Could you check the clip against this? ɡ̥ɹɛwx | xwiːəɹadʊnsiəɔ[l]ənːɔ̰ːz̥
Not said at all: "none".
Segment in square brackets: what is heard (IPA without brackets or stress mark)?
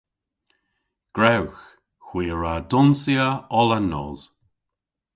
l